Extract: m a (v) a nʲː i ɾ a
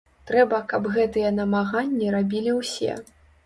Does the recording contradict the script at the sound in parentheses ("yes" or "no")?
yes